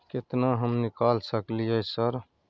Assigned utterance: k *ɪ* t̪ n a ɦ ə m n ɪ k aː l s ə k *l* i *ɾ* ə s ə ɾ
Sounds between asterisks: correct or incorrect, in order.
correct, correct, incorrect: none

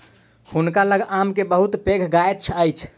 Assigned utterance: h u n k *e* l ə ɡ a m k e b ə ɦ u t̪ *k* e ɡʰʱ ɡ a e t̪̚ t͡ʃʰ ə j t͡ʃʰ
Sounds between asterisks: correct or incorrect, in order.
incorrect: a, incorrect: p

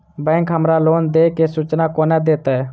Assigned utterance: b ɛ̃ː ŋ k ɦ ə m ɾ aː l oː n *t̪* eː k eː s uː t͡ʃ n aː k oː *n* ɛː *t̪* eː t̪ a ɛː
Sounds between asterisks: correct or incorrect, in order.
incorrect: d̪, correct, incorrect: d̪

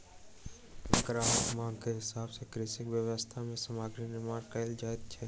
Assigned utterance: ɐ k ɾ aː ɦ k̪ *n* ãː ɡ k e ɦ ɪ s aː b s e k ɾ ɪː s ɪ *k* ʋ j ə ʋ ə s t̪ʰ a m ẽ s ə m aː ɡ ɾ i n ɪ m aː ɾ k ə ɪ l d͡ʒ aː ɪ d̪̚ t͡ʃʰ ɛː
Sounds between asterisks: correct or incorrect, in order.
incorrect: m, correct

